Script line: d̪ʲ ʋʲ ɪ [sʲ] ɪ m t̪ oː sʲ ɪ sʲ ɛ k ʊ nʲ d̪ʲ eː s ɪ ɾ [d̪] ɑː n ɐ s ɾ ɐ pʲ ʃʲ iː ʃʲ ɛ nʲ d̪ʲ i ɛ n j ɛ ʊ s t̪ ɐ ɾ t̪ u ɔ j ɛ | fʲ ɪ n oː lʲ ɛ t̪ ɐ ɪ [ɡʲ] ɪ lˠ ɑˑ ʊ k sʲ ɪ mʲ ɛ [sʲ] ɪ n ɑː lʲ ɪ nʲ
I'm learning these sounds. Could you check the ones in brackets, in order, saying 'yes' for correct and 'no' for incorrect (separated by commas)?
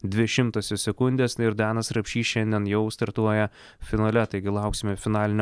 no, yes, yes, no